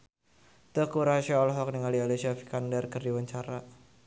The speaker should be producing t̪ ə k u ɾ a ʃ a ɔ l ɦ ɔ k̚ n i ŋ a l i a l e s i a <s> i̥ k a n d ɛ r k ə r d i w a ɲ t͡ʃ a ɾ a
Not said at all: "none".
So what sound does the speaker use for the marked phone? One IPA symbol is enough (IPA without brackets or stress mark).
f